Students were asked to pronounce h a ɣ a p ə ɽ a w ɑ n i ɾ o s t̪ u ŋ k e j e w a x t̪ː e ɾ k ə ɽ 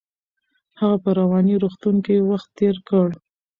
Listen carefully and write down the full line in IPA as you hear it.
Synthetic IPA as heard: h a ɣ a p ə ɾ a w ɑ n i ɾ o x t̪ u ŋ k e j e w a x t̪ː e ɾ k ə ɽ